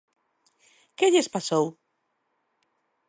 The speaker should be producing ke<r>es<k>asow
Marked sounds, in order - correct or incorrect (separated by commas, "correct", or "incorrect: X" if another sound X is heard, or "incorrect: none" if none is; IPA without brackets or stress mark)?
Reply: incorrect: ʎ, incorrect: p